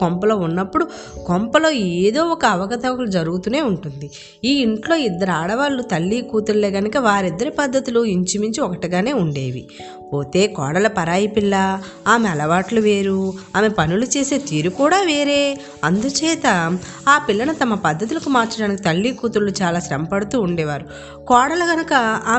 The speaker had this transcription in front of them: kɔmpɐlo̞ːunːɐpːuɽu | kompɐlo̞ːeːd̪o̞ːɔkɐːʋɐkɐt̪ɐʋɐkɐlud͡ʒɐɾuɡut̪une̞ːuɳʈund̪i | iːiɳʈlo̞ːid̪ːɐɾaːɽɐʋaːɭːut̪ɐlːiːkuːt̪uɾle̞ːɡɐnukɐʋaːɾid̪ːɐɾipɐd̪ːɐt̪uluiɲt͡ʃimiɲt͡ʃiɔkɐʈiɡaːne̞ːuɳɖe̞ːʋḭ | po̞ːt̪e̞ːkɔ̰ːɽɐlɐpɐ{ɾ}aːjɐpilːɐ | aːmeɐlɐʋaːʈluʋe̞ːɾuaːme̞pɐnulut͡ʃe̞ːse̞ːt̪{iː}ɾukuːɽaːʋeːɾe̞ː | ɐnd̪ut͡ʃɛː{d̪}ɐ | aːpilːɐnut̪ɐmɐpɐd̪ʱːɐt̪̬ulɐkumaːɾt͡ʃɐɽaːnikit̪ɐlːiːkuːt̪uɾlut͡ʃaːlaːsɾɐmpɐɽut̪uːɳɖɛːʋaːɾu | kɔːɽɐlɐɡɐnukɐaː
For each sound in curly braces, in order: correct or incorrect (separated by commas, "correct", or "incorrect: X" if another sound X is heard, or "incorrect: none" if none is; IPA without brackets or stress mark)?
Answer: correct, correct, incorrect: t̪